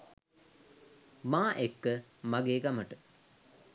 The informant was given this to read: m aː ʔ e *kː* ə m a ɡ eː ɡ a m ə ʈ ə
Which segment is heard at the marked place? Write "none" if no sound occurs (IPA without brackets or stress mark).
kː